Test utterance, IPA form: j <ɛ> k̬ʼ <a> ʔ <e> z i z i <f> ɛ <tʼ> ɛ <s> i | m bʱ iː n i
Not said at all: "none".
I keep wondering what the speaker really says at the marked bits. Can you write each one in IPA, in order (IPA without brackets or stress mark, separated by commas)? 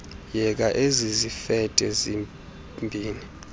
ɛ, a, e, f, tʼ, z